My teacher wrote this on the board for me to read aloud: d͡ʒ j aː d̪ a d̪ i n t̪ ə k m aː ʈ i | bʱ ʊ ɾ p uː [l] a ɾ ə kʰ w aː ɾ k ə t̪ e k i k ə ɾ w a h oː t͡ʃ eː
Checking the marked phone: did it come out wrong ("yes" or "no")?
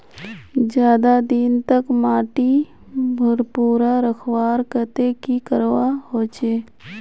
yes